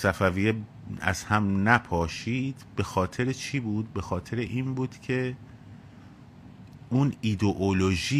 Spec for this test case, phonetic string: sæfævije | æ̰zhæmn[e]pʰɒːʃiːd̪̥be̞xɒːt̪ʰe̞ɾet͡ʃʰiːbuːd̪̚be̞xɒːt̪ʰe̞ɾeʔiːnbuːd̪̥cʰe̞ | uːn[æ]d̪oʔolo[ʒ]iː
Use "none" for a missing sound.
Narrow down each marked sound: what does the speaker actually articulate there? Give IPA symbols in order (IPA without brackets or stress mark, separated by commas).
æ, i, ʒ